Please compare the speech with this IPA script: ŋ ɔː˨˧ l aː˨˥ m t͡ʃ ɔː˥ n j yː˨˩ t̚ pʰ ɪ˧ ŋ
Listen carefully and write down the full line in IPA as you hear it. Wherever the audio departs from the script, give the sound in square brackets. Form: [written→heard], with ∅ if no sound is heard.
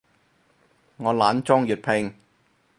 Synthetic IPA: ŋ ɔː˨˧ l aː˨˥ [m→n] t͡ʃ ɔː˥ [n→ŋ] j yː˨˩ t̚ pʰ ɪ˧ ŋ